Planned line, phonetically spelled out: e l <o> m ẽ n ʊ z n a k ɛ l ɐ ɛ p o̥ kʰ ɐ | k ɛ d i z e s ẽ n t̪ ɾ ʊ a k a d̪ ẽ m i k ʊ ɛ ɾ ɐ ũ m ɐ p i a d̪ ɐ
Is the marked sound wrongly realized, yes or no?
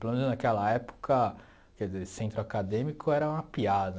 no